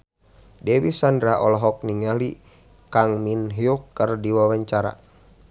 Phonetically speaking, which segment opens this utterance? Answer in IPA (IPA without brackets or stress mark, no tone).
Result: d